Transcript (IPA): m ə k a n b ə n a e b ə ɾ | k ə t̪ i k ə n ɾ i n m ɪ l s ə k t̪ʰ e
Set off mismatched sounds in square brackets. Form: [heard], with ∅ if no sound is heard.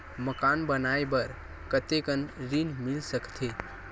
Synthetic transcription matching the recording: m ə k a n b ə n a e b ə ɾ | k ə t̪ [e] k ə n ɾ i n m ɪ l s ə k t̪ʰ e